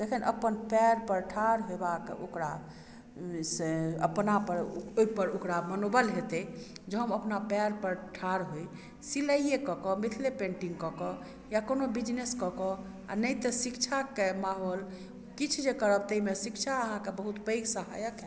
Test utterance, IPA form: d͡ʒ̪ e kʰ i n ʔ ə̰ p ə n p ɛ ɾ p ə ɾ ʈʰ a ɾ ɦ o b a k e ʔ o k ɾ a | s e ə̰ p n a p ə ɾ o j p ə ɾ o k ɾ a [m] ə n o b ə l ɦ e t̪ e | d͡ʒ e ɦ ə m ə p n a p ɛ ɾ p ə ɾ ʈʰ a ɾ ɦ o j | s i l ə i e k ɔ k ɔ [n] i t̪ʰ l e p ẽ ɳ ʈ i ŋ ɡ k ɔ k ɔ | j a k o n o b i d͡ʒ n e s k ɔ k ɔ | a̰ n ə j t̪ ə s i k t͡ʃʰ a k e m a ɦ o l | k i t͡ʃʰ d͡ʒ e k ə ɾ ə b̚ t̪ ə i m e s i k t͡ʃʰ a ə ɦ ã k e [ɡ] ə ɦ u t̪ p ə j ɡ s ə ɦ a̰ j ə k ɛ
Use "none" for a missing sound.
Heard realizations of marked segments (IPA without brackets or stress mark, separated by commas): m, m, b